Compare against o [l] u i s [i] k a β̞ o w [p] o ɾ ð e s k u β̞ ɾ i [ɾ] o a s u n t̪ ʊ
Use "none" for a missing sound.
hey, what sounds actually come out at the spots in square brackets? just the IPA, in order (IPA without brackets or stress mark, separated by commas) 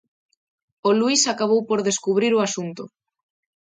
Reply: l, a, p, ɾ